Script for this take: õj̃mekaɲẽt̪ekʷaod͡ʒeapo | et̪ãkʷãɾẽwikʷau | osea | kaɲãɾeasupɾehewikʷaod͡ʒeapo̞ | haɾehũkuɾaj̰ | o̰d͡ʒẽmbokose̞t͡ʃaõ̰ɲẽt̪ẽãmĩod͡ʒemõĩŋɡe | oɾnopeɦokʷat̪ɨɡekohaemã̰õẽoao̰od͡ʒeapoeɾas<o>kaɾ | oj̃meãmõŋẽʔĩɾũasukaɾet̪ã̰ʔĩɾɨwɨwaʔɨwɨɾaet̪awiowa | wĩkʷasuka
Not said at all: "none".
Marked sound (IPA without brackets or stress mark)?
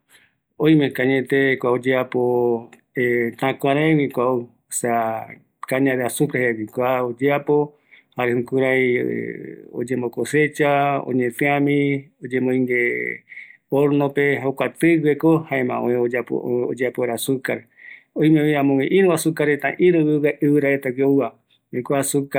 u